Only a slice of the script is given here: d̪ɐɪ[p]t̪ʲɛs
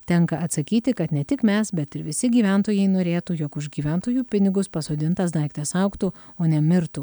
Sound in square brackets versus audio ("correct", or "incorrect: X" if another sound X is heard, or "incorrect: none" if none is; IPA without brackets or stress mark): incorrect: k